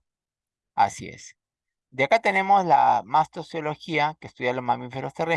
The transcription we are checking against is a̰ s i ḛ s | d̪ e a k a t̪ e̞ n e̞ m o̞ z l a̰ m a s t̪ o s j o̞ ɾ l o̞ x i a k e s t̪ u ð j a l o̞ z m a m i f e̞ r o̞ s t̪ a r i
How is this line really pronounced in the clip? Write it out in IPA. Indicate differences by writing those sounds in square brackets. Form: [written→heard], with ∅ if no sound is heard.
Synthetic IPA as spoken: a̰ s i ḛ s | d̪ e a k a t̪ e̞ n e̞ m o̞ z l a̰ m a s t̪ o s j o̞ [ɾ→∅] l o̞ x i a k e s t̪ u ð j a l o̞ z m a m i f e̞ [r→ɾ] o̞ s t̪ [a→e] r [i→e]